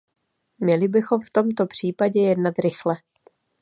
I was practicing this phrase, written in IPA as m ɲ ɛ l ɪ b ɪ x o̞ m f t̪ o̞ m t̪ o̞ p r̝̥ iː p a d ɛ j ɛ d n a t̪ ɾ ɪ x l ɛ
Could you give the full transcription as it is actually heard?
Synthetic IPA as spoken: m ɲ ɛ l ɪ b ɪ x o̞ m f t̪ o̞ m t̪ o̞ p r̝̥ iː p a ɟ ɛ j ɛ d n a t̪ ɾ ɪ x l ɛ